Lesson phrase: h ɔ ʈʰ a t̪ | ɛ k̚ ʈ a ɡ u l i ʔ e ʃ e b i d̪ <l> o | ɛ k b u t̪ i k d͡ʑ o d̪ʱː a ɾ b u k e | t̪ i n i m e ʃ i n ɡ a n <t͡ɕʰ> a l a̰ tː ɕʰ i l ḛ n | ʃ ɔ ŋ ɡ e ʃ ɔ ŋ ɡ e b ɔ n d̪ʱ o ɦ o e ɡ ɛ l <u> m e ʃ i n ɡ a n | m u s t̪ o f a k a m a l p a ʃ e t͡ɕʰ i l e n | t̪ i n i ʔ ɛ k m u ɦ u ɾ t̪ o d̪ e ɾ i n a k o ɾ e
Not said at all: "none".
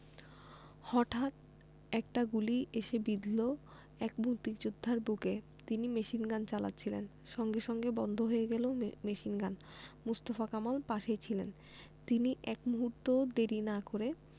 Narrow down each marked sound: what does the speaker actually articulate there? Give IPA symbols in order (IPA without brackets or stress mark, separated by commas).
l, t͡ɕ, o